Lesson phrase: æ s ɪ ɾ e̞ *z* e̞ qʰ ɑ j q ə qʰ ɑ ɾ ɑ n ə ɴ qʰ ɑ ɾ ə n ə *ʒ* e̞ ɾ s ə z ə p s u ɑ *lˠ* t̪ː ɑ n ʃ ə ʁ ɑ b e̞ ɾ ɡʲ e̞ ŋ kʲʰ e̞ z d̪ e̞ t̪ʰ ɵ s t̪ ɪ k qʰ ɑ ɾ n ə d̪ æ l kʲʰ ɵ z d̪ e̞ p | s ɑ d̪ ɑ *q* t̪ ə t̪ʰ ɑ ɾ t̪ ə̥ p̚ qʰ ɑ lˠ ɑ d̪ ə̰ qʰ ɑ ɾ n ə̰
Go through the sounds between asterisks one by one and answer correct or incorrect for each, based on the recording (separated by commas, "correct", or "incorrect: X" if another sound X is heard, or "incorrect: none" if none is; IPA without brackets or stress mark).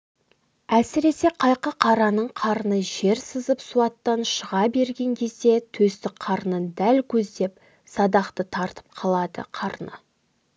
incorrect: s, correct, incorrect: none, correct